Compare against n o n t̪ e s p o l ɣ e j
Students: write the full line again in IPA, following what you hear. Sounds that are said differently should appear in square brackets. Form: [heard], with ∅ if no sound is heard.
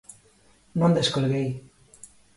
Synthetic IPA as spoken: n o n [d̪] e s [k] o l ɣ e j

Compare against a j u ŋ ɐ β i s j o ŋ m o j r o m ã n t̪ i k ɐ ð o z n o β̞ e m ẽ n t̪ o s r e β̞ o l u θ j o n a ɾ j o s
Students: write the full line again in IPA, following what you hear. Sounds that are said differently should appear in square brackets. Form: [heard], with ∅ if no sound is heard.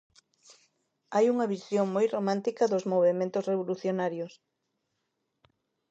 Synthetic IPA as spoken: a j u ŋ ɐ β i s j o ŋ m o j r o m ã n t̪ i k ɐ ð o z [m] o β̞ e m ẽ n t̪ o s r e β̞ o l u θ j o n a ɾ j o s

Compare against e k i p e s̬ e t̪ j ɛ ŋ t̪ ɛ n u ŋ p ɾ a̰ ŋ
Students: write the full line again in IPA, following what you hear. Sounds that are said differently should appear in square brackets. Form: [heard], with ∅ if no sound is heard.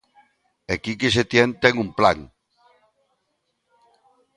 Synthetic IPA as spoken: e k i [k] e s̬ e t̪ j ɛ [n] t̪ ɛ [ŋ] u [m] p [l] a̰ ŋ

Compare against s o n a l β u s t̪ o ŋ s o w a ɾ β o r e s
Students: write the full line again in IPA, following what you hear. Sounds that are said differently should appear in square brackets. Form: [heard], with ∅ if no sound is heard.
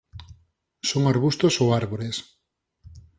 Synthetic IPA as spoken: s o [ŋ] a [ɾ] β u s t̪ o [∅] s o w a ɾ β o [ɾ] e s

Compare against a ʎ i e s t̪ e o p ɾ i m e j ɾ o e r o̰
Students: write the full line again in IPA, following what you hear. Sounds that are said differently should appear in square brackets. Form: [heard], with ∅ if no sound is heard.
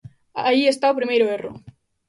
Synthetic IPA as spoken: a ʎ i e s t̪ [a] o p ɾ i m e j ɾ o e r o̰

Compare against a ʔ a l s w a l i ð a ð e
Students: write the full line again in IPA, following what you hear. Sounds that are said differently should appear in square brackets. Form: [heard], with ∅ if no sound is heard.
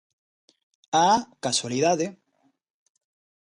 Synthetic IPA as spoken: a [k] a [∅] s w a l i ð a ð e

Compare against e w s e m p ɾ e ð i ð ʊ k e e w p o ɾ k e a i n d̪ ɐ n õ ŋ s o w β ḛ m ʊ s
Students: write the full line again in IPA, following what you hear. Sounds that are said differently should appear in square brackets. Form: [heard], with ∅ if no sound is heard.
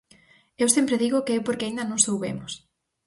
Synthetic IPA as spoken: e w s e m p ɾ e ð i [ɣ] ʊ k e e w p o ɾ k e a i n d̪ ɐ n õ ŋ s o w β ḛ m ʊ s

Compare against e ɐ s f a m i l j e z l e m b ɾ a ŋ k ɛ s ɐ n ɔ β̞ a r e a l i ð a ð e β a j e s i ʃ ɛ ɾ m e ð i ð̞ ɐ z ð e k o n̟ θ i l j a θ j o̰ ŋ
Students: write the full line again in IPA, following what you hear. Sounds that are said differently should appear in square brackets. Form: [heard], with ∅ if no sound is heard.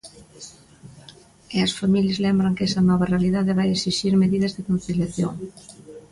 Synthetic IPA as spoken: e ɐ s f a m i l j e z l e m b ɾ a ŋ k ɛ s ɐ n ɔ β̞ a r e a l i ð a ð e β a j e s i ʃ [i] ɾ m e ð i ð̞ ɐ z ð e k o n̟ θ i l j a θ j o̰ ŋ

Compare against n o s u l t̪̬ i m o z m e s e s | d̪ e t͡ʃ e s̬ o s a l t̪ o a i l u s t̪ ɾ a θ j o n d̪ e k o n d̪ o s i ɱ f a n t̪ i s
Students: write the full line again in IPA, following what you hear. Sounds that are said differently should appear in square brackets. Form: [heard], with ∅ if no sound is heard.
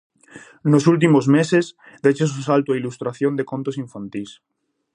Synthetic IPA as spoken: n o s u l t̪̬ i m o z m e s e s | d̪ e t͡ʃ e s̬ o s a l t̪ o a i l u s t̪ ɾ a θ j o n d̪ e k o n [t̪] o s i ɱ f a n t̪ i s

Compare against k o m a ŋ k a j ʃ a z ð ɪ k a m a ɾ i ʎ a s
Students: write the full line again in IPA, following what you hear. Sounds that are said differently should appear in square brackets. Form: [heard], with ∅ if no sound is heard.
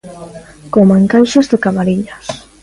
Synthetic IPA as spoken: k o m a ŋ k a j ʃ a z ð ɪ k a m a ɾ i ʎ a s

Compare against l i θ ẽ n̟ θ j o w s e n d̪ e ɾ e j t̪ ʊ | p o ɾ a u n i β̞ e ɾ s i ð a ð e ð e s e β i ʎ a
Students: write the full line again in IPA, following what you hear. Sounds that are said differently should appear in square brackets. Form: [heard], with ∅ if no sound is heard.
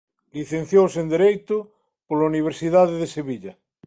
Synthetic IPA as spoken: l i θ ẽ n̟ θ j o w s e n d̪ e ɾ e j t̪ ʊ | p o [l] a u n i β̞ e ɾ s i ð a ð e ð e s e β i ʎ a

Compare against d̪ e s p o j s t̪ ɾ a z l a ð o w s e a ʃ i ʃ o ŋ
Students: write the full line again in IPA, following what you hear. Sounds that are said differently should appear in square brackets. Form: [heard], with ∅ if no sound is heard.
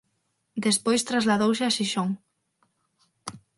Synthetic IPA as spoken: d̪ e s p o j s t̪ ɾ a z l a ð o w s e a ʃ i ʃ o ŋ

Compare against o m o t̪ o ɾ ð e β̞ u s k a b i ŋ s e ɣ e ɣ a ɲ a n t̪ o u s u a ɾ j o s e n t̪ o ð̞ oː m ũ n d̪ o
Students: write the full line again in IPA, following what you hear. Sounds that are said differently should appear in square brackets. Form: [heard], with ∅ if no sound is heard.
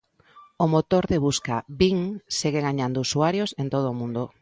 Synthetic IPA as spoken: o m o t̪ o ɾ ð e β̞ u s k a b i ŋ s e ɣ e ɣ a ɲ a n [d̪] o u s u a ɾ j o s e n t̪ o ð̞ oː m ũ n d̪ o

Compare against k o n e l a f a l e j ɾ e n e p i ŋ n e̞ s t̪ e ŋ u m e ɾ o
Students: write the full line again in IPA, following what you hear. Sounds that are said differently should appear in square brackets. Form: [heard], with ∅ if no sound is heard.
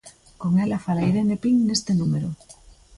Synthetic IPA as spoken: k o [ŋ] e l a f a l [a] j ɾ e n e p i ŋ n e̞ s t̪ e [n] u m e ɾ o

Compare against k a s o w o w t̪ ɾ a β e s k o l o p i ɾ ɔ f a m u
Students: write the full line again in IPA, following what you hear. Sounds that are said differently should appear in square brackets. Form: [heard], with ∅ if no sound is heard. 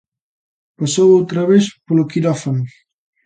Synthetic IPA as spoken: [p] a s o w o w t̪ ɾ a β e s [p] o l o [k] i ɾ ɔ f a [n] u

